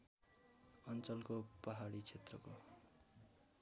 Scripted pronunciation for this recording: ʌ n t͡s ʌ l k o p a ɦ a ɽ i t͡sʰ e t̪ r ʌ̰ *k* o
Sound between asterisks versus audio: correct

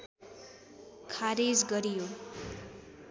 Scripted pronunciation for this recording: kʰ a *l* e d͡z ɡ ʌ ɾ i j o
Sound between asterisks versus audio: incorrect: ɾ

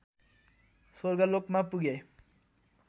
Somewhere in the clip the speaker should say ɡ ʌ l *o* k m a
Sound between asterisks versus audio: correct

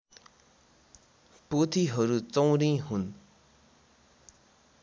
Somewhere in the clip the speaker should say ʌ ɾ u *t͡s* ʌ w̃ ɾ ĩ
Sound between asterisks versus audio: correct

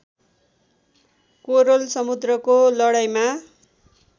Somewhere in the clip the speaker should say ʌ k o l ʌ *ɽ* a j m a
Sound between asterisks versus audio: correct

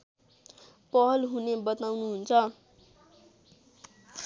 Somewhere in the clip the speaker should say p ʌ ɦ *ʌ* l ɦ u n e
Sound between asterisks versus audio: correct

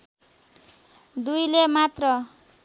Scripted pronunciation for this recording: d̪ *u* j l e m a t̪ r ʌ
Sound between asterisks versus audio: correct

